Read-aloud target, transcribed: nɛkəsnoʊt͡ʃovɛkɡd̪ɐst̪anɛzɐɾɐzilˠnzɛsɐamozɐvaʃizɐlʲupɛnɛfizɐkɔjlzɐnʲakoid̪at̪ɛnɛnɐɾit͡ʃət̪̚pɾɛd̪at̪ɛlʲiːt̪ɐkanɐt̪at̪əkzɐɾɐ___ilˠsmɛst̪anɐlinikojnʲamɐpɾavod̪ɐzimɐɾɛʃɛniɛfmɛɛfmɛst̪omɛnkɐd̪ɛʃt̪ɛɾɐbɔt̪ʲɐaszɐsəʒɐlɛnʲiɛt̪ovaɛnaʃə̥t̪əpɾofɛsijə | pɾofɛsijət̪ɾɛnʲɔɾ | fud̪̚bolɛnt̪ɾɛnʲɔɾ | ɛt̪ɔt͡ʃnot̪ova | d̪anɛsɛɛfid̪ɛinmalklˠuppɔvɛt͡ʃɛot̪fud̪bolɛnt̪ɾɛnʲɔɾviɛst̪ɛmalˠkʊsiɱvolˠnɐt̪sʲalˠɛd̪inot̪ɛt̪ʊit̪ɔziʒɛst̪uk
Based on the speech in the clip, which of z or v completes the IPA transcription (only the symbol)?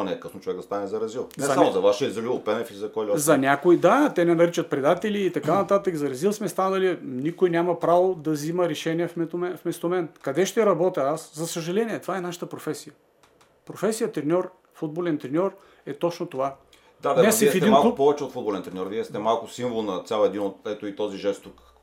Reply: z